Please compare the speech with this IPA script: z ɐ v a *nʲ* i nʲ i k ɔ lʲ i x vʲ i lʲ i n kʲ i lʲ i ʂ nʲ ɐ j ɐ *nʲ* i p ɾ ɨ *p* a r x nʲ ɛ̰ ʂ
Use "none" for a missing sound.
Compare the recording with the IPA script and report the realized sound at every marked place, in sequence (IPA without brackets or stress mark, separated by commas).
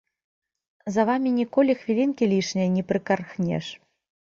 mʲ, nʲ, k